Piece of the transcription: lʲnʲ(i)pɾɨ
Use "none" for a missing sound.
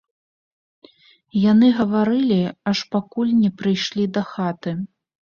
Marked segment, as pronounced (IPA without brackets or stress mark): ɛ